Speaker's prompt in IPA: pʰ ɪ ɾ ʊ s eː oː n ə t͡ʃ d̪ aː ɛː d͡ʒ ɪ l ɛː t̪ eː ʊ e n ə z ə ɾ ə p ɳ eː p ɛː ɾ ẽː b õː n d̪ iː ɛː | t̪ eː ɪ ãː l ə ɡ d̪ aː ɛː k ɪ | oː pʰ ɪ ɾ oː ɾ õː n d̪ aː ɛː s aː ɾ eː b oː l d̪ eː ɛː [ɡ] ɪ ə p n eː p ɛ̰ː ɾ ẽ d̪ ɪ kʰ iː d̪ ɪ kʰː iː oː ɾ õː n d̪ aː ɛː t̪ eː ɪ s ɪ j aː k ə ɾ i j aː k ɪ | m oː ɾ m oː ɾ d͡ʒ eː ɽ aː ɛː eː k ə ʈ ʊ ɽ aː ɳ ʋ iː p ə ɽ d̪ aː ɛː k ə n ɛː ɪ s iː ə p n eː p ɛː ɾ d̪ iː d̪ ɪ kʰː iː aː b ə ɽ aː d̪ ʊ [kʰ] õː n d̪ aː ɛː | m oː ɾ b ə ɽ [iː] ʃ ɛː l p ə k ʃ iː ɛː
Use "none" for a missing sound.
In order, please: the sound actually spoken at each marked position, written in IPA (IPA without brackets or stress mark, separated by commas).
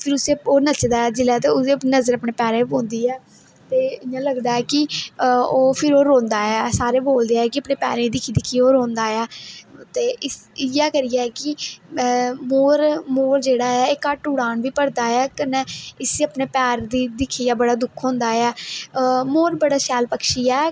k, kʰ, aː